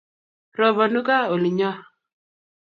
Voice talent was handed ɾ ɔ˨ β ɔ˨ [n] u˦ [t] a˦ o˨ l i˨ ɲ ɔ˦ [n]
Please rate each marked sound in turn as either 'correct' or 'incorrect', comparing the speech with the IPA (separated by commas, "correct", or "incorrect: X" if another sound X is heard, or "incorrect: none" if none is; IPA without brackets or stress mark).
correct, incorrect: k, incorrect: none